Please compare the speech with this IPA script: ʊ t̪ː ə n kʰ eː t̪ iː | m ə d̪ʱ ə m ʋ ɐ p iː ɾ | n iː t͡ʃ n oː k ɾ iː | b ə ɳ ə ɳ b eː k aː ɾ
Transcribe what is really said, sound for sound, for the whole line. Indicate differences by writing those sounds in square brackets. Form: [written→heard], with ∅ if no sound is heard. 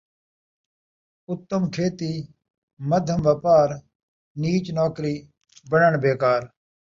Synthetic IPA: ʊ t̪ː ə [n→m] kʰ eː t̪ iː | m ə d̪ʱ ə m ʋ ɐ p [iː→aː] ɾ | n iː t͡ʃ n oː k ɾ iː | b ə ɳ ə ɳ b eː k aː ɾ